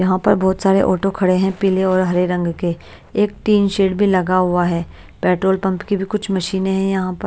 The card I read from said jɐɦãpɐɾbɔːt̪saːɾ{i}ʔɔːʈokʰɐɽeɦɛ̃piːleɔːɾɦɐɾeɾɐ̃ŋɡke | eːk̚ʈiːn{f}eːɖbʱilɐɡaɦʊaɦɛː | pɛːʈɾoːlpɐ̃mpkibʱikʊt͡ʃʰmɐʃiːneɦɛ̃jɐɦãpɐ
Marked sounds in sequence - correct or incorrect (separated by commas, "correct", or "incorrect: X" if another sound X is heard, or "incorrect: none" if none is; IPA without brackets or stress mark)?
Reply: incorrect: e, incorrect: ʃ